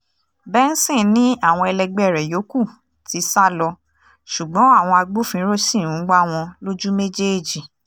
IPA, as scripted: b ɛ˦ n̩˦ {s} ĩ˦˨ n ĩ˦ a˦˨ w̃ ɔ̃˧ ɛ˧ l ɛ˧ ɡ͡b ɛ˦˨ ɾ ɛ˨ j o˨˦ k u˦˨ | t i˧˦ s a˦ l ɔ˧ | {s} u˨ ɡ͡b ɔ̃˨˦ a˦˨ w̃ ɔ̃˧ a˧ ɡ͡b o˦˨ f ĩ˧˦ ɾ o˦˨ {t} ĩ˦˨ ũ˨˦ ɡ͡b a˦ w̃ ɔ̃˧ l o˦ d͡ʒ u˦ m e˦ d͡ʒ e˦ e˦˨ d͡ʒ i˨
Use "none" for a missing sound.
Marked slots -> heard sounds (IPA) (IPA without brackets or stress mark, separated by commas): s, ʃ, s